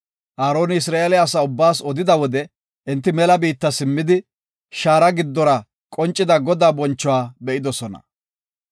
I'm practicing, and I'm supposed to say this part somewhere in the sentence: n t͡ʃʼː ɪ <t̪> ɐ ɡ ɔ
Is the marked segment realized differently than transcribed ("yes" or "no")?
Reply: yes